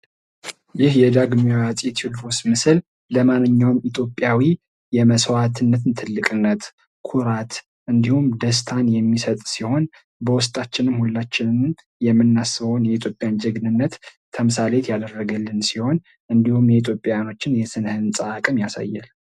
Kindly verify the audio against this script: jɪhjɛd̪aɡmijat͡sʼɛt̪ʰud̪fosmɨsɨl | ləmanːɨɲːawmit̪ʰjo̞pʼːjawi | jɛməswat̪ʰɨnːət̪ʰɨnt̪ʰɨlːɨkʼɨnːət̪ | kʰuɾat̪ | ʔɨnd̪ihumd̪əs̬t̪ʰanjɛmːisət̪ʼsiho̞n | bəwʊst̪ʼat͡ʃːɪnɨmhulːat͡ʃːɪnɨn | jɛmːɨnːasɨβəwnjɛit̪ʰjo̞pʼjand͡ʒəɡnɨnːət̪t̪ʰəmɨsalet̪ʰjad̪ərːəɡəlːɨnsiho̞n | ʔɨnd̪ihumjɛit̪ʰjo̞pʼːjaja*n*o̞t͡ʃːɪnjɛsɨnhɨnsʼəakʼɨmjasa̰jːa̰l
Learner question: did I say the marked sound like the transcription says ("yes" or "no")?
yes